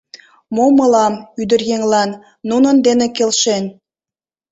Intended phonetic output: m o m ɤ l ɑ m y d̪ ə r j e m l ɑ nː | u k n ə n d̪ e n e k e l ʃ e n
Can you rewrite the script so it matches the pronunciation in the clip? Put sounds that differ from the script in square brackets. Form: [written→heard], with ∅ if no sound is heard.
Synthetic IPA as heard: m o m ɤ l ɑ m y d̪ ə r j e [m→ŋ] l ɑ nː | u [k→∅] n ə n d̪ e n e k e l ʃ e n